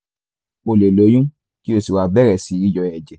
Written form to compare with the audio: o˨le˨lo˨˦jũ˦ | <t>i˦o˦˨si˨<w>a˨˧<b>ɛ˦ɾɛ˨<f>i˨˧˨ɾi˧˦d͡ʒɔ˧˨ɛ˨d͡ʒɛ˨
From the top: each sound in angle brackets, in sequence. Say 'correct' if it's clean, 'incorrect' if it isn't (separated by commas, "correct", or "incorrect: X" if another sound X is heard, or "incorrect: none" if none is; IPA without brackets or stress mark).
incorrect: k, correct, correct, incorrect: s